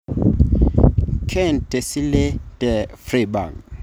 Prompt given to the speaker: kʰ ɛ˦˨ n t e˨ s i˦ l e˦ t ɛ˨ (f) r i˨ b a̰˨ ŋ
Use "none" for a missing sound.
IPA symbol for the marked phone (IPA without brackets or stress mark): f